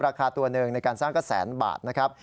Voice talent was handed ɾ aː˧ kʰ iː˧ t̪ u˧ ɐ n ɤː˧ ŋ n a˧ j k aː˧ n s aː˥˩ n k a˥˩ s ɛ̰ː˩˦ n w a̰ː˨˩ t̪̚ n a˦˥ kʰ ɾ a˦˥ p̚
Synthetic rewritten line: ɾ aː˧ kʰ aː˧ t̪ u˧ ɐ n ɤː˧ ŋ n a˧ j k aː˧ n s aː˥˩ ŋ k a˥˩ s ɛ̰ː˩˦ n b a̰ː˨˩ t̪̚ n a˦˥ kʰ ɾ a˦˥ p̚

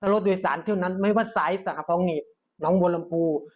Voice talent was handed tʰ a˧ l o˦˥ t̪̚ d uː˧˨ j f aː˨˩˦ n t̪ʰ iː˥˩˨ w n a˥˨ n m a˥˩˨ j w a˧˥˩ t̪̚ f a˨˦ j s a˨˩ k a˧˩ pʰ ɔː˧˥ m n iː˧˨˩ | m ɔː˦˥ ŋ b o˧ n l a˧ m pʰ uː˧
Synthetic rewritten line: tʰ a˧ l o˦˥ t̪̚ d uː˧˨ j s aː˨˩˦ n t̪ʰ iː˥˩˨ w n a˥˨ n m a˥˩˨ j w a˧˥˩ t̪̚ s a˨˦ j s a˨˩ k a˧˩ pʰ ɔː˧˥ ŋ n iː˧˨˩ | n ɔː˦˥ ŋ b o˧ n l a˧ m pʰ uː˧

